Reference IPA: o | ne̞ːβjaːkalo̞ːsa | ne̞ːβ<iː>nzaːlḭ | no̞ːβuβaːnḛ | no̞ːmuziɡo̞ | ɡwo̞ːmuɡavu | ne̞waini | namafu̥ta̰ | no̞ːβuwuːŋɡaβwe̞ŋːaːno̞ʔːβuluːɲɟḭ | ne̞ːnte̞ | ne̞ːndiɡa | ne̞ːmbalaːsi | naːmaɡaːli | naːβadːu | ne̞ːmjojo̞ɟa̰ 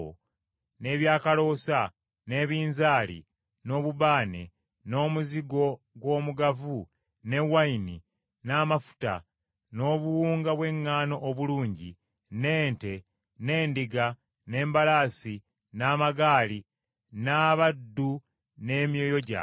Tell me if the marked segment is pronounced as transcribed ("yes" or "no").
yes